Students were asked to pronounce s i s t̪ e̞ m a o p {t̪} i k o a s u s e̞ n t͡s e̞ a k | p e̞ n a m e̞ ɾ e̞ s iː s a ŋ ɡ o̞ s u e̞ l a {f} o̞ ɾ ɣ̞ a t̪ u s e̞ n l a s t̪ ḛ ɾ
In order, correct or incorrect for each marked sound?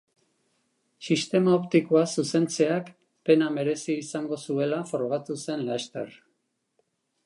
correct, correct

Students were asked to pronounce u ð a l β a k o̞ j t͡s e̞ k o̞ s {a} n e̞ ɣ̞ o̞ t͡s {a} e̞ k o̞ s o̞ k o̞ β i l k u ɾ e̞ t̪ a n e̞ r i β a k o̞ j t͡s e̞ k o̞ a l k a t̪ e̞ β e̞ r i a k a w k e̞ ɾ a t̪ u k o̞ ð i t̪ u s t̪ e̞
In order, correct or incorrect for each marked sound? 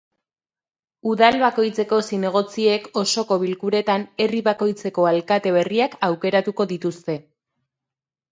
incorrect, incorrect

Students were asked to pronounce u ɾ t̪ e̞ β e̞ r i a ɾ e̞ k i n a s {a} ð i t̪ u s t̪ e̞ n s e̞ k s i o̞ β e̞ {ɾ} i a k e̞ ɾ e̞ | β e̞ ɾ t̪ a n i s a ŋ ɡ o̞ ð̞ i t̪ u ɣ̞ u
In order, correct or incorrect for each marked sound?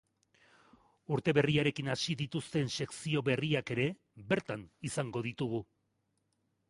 incorrect, incorrect

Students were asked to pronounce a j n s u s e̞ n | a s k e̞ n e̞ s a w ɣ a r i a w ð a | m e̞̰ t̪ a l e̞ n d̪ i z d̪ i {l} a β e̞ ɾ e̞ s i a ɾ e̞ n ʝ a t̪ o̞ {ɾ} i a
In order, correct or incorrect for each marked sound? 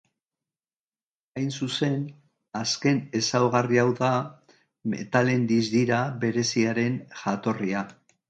incorrect, incorrect

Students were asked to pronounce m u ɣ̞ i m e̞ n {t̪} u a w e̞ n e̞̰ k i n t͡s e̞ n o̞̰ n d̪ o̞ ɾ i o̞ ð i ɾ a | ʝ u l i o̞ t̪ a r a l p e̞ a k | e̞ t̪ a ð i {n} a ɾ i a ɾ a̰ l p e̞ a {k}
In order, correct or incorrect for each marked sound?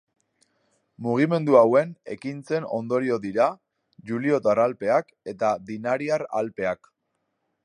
incorrect, correct, correct

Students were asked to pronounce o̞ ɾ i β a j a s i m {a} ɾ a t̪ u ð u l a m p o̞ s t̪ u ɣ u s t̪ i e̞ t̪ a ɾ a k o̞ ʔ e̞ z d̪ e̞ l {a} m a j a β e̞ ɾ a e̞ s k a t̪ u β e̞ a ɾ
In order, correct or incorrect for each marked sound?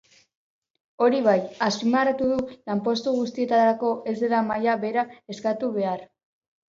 correct, correct

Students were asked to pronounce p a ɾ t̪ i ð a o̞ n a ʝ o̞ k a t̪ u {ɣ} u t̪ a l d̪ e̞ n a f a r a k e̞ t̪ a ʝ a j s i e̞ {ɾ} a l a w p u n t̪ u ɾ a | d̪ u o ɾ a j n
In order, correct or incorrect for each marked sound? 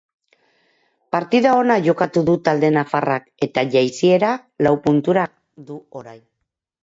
incorrect, correct

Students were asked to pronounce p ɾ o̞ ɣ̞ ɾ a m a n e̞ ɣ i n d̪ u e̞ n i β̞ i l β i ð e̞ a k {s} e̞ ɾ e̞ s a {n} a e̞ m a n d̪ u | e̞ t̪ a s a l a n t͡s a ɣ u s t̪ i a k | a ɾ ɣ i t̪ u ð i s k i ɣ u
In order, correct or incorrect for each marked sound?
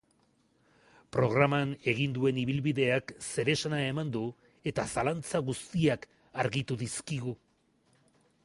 correct, correct

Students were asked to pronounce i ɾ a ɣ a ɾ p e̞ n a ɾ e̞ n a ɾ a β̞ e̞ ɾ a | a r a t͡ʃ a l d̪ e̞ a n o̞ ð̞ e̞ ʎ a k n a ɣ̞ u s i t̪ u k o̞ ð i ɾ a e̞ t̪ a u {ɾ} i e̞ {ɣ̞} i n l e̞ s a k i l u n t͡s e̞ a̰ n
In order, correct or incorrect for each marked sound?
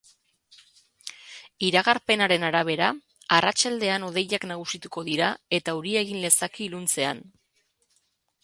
correct, correct

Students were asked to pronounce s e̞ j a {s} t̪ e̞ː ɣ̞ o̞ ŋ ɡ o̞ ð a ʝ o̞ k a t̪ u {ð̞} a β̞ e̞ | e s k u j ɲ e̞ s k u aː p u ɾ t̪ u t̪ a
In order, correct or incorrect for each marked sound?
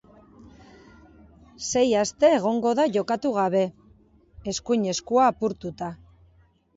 correct, incorrect

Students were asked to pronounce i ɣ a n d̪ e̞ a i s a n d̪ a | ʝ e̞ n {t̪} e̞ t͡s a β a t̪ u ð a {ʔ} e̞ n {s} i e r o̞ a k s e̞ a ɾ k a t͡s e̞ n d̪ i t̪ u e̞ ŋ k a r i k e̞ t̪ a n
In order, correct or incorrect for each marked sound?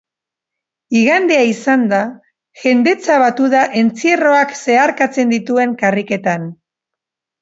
incorrect, correct, incorrect

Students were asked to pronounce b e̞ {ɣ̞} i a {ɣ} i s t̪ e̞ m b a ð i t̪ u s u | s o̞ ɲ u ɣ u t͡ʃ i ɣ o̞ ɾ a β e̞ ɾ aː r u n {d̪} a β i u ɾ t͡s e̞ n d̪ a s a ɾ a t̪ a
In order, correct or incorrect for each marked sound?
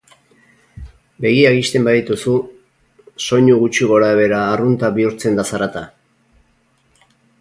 correct, correct, incorrect

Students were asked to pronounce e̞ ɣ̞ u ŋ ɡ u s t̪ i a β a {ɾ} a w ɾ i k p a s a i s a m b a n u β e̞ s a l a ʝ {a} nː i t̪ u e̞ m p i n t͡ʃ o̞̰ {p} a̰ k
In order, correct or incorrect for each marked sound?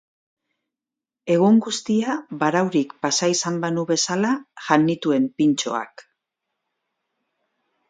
correct, correct, incorrect

